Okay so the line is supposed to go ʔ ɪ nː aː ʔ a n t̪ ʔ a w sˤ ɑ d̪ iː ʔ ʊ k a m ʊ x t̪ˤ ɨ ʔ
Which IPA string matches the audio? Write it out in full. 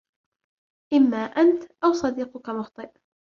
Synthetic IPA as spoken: ʔ ɪ mː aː ʔ a n t̪ ʔ a w sˤ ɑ d̪ iː q ʊ k a m ʊ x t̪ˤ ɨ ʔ